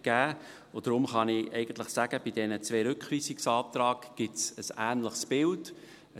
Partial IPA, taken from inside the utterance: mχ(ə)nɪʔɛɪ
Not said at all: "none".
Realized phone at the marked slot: ɑ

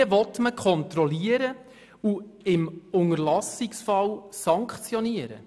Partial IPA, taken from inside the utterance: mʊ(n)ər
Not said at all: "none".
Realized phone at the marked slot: ŋ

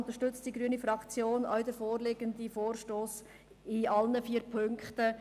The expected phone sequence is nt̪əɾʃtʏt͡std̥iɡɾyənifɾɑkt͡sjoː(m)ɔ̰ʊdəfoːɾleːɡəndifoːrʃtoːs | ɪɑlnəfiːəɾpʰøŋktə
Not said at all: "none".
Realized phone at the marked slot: n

